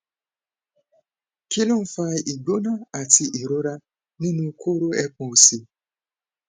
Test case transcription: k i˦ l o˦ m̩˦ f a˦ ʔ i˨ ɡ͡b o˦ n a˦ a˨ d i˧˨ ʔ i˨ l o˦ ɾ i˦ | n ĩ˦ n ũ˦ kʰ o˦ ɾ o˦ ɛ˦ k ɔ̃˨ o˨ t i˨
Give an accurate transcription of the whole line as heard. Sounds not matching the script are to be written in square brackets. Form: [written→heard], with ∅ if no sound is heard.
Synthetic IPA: k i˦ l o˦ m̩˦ f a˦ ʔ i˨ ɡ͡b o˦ n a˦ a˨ [d→t] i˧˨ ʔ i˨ [l→ɾ] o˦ ɾ [i˦→a˦] | n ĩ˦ n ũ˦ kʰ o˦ ɾ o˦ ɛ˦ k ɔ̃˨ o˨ [t→s] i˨